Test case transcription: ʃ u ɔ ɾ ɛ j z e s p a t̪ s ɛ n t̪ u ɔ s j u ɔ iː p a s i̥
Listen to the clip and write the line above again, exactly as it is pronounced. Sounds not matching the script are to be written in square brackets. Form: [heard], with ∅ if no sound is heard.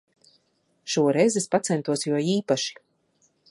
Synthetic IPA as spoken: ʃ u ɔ ɾ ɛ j z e s p a t̪ s ɛ n t̪ u ɔ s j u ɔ iː p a [ʃ] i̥